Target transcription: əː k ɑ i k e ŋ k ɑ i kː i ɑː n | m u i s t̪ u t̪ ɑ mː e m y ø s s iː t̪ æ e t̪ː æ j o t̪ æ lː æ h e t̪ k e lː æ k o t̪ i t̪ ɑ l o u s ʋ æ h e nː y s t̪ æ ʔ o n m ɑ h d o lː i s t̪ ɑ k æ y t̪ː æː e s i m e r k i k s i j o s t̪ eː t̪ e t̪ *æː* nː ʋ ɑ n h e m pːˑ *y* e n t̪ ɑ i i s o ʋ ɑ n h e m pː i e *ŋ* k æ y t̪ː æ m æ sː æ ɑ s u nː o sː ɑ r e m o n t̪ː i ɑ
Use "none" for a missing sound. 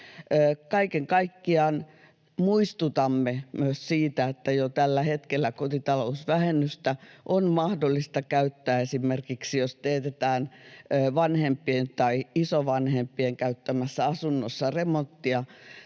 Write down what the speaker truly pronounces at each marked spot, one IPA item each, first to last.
æː, i, ŋ

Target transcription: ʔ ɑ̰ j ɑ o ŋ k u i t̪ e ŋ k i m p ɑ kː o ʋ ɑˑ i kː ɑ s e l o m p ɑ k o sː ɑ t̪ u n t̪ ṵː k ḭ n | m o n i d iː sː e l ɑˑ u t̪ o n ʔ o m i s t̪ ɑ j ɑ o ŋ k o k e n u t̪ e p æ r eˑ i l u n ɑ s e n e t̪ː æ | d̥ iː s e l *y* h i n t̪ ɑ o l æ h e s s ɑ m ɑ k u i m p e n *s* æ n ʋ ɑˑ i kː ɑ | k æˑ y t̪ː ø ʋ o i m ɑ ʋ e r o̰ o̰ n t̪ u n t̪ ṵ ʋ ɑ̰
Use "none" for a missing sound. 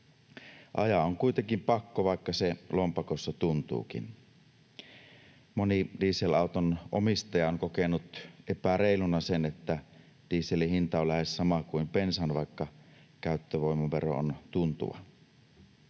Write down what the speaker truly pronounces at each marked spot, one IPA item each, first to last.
i, s

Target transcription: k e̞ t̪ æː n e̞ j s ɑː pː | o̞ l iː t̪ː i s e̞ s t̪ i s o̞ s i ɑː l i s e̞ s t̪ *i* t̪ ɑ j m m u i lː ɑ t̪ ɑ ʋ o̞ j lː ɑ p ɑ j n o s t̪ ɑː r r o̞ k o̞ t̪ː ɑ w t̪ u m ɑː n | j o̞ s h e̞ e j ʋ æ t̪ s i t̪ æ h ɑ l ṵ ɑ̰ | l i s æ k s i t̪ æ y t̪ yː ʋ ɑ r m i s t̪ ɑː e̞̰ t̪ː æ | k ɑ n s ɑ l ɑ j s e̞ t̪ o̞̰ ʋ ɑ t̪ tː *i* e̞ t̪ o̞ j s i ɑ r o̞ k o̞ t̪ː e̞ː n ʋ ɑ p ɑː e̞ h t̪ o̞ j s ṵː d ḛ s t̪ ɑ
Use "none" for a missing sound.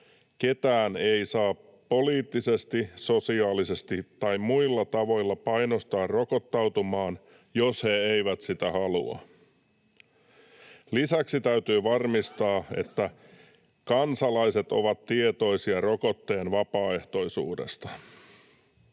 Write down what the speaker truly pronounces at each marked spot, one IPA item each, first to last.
i, i

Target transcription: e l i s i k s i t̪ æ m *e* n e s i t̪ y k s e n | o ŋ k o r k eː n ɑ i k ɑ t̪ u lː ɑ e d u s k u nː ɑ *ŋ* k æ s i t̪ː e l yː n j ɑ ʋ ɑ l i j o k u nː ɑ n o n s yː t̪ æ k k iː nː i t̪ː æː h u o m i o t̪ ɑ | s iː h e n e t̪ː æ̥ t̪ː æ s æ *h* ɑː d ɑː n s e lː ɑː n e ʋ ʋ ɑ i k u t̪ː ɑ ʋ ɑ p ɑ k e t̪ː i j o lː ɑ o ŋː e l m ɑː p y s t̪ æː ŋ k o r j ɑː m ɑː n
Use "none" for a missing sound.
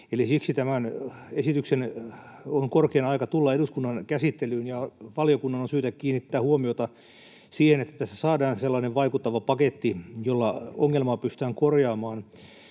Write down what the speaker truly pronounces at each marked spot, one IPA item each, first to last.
æ, n, s

